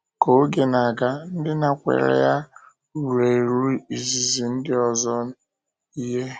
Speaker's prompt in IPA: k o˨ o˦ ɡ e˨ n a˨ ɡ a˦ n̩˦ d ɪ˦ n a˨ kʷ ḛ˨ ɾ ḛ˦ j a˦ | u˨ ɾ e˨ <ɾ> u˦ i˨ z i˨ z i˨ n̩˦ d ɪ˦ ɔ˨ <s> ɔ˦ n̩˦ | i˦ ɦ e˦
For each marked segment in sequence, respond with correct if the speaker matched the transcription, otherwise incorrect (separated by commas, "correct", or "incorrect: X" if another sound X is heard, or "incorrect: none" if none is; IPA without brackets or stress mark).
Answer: correct, incorrect: z